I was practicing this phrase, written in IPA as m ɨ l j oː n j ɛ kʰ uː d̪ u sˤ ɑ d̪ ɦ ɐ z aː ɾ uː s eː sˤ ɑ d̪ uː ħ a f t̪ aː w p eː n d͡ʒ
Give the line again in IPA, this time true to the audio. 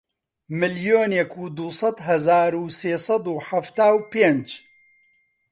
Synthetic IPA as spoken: m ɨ l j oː n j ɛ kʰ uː d̪ u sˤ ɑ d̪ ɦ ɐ z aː ɾ uː s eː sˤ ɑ d̪ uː ħ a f t̪ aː w p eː n d͡ʒ